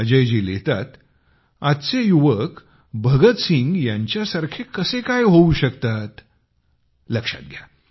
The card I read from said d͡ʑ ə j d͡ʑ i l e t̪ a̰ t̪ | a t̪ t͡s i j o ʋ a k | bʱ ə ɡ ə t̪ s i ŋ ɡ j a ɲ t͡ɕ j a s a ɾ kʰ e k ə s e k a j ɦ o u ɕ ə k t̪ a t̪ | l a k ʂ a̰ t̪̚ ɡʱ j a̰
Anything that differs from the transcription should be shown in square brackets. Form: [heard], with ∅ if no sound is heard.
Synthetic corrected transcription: d͡ʑ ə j d͡ʑ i l e t̪ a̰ t̪ | a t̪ t͡s [e] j [u] ʋ [ə] k | bʱ ə ɡ ə t̪ s i ŋ ɡ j a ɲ t͡ɕ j a s a ɾ kʰ e k ə s e k a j ɦ o u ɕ ə k t̪ a t̪ | l [ə] k ʂ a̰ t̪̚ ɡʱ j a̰